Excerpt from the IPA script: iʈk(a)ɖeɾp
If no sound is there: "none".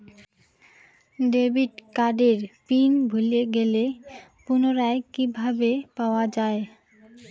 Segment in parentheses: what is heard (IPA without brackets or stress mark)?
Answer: a